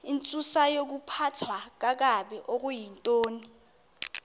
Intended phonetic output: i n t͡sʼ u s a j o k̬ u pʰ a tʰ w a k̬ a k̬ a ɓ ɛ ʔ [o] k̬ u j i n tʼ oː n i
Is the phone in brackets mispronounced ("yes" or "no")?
no